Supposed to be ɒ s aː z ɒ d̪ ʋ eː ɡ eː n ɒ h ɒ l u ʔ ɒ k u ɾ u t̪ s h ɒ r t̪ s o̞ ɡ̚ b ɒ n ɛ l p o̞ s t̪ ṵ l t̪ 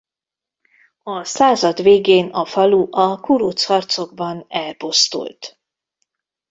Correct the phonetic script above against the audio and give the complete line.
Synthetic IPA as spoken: ɒ s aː z ɒ d̪ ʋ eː ɡ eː n ɒ f ɒ l u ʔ ɒ k u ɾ u t̪ s h ɒ r t̪ s o̞ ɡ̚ b ɒ n ɛ l p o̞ s t̪ ṵ l t̪